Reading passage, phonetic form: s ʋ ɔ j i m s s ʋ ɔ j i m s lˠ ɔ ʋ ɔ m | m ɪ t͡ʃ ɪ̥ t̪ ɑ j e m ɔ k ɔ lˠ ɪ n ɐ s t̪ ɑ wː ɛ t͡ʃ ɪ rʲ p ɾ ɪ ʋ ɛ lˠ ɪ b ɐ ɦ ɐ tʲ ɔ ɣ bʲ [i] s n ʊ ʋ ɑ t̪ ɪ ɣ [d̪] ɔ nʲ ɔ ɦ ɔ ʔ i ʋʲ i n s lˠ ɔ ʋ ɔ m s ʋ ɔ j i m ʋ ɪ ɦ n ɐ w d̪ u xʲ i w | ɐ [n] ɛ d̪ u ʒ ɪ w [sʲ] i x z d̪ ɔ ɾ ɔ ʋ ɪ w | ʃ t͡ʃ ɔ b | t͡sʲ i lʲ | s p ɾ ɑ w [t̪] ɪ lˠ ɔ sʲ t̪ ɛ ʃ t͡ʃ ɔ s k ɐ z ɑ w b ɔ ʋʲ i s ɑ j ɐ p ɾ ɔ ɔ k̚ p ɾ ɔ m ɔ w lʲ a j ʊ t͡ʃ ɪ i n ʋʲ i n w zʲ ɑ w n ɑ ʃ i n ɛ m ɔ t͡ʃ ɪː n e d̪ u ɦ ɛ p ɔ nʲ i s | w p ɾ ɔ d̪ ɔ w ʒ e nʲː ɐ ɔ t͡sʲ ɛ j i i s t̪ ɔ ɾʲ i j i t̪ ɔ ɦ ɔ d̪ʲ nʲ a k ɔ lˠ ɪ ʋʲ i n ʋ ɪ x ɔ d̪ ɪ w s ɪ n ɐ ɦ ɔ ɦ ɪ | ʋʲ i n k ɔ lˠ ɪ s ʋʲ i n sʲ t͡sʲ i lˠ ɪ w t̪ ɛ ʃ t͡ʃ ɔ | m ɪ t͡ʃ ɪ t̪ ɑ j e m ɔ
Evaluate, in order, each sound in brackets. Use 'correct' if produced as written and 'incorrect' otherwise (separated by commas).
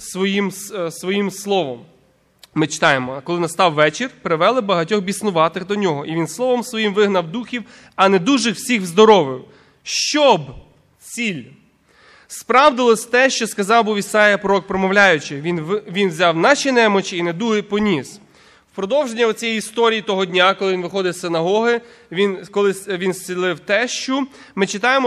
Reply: correct, correct, correct, correct, incorrect